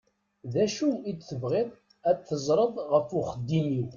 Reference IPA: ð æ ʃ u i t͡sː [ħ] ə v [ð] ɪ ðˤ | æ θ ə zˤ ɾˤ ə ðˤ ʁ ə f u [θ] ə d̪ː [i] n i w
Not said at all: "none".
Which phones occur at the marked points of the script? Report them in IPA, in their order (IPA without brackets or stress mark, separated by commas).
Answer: θ, ʁ, χ, i